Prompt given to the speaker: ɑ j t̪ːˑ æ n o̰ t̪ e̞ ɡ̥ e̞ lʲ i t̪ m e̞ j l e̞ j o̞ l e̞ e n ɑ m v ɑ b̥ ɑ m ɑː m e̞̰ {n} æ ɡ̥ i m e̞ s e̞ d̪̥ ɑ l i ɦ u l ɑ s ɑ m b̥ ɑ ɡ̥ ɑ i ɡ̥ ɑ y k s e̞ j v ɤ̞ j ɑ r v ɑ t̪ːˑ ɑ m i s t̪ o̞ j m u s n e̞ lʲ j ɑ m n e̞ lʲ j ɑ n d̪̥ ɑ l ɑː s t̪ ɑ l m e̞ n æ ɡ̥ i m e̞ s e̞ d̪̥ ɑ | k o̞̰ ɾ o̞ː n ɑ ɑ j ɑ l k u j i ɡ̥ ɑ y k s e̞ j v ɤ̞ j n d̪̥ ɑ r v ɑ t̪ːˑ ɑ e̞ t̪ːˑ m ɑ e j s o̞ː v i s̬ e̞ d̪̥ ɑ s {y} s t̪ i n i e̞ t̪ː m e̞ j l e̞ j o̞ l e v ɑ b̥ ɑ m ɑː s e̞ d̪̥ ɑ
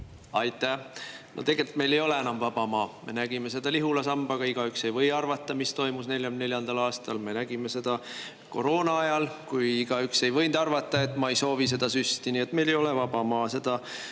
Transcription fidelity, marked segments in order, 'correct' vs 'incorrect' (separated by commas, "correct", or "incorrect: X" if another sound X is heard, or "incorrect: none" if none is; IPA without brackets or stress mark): correct, correct